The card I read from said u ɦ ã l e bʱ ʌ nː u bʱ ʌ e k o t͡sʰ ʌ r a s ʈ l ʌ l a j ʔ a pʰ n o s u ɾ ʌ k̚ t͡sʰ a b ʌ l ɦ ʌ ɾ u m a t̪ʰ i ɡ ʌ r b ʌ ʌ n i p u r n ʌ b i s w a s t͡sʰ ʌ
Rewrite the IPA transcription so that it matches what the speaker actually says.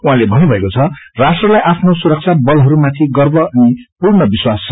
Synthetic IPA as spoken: u ɦ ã l e bʱ ʌ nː u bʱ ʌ e k o t͡sʰ ʌ r a s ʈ r ʌ l a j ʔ a pʰ n o s u ɾ ʌ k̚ t͡sʰ a b ʌ l ɦ ʌ ɾ u m a t̪ʰ i ɡ ʌ r b ʌ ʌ n i p u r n ʌ b i s w a s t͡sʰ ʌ